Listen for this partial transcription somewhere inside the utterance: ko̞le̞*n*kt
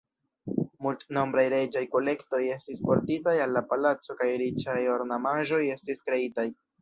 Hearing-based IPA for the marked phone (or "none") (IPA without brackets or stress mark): none